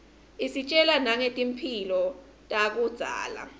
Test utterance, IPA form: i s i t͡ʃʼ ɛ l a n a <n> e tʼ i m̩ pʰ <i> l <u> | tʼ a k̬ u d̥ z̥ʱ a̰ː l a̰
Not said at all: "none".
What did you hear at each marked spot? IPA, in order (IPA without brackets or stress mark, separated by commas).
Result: ŋ, i, ɔ